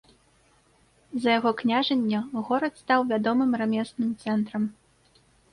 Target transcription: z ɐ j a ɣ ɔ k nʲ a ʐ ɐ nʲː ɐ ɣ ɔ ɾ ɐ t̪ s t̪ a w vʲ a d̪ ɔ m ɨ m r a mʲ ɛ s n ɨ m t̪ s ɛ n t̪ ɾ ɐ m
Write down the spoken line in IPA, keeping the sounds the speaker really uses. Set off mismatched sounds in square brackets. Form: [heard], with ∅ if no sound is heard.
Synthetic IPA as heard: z ɐ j a ɣ ɔ k nʲ a ʐ ɐ nʲː ɐ ɣ ɔ ɾ ɐ t̪ s t̪ a w vʲ a d̪ ɔ m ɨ m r a mʲ ɛ s n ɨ m t̪ s ɛ n t̪ ɾ ɐ m